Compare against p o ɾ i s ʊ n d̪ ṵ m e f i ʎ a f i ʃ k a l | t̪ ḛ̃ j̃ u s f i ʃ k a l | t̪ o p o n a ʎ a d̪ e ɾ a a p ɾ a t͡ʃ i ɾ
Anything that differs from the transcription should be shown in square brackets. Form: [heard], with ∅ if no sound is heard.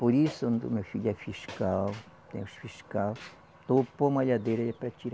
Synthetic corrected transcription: p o ɾ i s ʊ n d̪ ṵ m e f i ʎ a f i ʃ k a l | t̪ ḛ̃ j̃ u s f i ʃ k a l | t̪ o p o [m] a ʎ a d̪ e ɾ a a p ɾ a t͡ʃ i ɾ